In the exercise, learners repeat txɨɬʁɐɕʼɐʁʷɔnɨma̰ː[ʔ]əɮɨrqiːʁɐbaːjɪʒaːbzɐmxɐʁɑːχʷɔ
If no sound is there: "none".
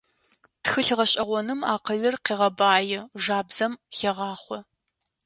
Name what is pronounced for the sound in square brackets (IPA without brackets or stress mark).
q